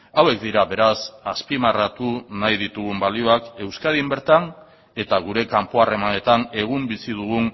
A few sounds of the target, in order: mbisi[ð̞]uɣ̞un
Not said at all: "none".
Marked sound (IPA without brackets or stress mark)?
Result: ð̞